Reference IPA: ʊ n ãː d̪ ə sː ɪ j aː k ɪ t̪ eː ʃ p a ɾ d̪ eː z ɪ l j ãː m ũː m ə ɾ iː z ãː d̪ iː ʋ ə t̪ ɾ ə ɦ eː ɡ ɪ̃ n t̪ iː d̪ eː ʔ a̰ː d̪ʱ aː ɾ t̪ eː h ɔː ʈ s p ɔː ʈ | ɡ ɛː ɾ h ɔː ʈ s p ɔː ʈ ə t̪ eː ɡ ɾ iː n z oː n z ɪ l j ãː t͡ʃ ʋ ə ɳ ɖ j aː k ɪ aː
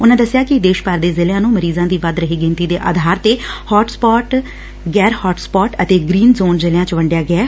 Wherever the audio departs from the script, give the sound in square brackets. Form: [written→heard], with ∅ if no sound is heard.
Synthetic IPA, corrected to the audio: ʊ n ãː d̪ ə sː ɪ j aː k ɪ [t̪→d̪] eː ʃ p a ɾ d̪ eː z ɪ l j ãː [m→n] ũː m ə ɾ iː z ãː d̪ iː ʋ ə [t̪→d̪] ɾ ə ɦ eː ɡ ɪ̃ n t̪ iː d̪ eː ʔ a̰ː d̪ʱ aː ɾ t̪ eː h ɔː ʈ s p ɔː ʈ | ɡ ɛː ɾ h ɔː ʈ s p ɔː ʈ ə t̪ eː ɡ ɾ iː n z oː n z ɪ l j ãː t͡ʃ ʋ ə ɳ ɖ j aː [k→ɡ] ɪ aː